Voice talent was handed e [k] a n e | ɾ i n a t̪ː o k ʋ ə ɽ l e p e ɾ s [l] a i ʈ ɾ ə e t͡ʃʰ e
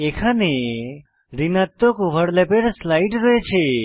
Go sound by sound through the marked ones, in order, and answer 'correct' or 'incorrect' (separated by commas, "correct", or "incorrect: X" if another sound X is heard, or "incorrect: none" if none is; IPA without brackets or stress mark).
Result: incorrect: kʰ, correct